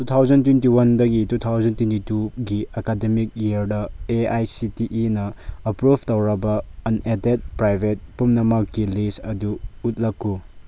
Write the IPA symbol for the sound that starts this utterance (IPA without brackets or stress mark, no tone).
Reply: t